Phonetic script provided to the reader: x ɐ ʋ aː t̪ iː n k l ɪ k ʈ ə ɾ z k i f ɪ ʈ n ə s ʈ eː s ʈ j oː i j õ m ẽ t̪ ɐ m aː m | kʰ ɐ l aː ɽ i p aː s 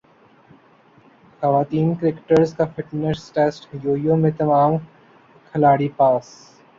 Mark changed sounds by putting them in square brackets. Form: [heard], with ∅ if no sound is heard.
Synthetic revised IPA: x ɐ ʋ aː t̪ iː n k [ɾ] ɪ k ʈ ə ɾ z k [a] f ɪ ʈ n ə s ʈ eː s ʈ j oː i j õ m ẽ t̪ ɐ m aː m | kʰ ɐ l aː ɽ i p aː s